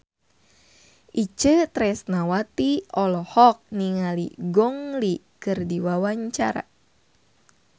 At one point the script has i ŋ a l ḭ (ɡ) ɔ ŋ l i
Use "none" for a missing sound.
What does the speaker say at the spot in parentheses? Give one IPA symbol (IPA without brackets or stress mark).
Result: ɡ